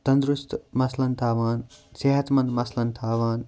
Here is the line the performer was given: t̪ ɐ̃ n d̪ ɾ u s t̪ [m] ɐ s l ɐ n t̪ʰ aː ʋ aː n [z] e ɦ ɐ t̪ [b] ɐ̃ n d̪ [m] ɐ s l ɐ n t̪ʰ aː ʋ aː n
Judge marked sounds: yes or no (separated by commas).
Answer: yes, no, no, yes